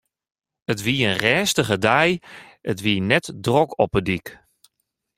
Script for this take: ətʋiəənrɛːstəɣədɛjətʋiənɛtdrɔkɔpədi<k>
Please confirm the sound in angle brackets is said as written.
yes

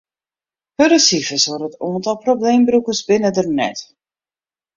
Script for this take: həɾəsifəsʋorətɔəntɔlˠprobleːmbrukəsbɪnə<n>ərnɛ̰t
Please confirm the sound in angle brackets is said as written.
no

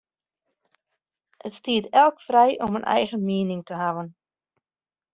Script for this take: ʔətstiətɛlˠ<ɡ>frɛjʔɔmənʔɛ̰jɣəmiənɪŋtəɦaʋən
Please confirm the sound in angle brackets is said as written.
no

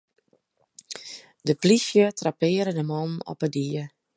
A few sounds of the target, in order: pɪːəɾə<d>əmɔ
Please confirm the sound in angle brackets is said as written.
yes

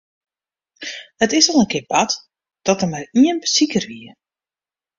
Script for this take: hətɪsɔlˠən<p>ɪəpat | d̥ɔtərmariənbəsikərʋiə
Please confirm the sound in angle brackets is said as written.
no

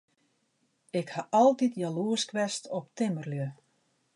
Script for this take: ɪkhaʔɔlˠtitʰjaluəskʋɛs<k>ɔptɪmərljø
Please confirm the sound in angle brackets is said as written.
no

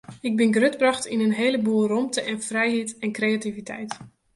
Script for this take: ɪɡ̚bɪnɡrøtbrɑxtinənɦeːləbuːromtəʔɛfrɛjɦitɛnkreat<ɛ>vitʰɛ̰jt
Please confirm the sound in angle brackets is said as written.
no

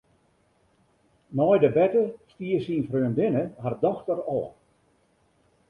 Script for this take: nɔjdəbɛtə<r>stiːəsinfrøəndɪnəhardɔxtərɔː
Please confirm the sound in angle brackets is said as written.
no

